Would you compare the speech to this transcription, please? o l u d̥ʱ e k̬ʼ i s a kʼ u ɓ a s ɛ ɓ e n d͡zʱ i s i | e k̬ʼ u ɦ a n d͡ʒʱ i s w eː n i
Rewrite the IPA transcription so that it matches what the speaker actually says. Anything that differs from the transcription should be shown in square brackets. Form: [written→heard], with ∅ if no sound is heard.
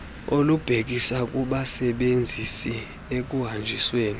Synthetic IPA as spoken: o l u [d̥ʱ→b̥ʱ] e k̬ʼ i s a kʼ u ɓ a s ɛ ɓ e n d͡zʱ i s i | e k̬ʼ u ɦ a n d͡ʒʱ i s w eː n i